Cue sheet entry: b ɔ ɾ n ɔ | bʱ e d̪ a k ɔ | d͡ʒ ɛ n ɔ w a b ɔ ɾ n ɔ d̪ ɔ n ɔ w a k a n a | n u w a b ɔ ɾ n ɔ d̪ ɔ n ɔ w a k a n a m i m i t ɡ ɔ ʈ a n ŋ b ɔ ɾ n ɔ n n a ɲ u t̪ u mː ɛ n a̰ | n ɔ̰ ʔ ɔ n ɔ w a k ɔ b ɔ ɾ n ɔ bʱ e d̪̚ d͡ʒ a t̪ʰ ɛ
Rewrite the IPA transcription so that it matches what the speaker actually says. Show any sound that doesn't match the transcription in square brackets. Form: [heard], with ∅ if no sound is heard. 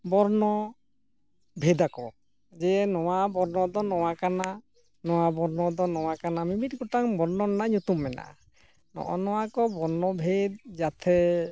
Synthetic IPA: b ɔ ɾ n ɔ | bʱ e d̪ a k ɔ | d͡ʒ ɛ n ɔ w a b ɔ ɾ n ɔ d̪ ɔ n ɔ w a k a n a | n [ɔ] w a b ɔ ɾ n ɔ d̪ ɔ n ɔ w a k a n a m i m i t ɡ ɔ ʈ a [∅] ŋ b ɔ ɾ n ɔ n n a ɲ u t̪ u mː ɛ n a̰ | n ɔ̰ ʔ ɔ n ɔ w a k ɔ b ɔ ɾ n ɔ bʱ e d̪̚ d͡ʒ a t̪ʰ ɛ